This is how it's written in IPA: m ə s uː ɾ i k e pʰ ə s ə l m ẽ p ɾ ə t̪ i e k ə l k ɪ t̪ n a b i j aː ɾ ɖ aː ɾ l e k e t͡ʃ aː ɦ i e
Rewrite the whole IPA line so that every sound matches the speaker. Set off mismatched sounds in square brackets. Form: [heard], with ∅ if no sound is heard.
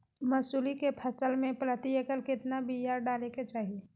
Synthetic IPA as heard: m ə s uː [l] i k e pʰ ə s ə l m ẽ p ɾ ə t̪ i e k ə l k ɪ t̪ n a b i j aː ɾ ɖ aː [∅] l e k e t͡ʃ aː ɦ i e